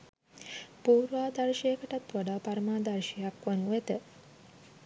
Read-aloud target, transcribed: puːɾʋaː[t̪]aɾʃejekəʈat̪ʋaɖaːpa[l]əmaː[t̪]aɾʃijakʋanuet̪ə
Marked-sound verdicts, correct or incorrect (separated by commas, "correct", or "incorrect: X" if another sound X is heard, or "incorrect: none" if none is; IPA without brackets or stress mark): incorrect: d̪, incorrect: ɾ, incorrect: d̪